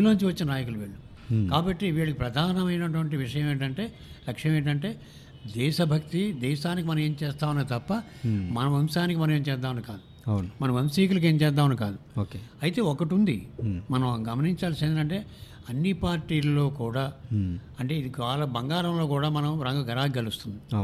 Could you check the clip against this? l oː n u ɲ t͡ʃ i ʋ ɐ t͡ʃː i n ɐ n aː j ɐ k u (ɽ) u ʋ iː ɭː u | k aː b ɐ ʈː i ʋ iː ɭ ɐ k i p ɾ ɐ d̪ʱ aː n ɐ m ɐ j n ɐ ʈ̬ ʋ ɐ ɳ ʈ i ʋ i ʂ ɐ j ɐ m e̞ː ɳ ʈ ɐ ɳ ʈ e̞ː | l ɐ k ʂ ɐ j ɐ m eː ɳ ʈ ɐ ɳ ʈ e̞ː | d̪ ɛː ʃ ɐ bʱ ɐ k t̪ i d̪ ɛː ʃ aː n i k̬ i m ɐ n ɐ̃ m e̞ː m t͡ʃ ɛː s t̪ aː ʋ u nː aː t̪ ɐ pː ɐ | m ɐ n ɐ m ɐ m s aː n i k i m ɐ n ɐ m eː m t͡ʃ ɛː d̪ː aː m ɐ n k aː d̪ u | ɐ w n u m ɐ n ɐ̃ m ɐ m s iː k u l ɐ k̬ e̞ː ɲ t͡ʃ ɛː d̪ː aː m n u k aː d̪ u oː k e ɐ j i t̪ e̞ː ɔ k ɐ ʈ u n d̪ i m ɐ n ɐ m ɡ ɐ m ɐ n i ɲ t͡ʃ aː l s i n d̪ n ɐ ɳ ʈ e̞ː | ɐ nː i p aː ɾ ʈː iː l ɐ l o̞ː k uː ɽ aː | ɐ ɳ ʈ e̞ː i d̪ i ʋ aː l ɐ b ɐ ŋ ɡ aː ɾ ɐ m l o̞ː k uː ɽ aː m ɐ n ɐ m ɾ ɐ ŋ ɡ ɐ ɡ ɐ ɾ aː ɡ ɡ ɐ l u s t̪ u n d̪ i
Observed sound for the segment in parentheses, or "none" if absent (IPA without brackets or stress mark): l